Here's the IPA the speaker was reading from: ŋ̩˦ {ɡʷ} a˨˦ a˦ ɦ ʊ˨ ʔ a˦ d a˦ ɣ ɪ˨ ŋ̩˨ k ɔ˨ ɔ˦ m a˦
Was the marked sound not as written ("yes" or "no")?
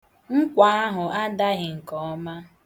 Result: yes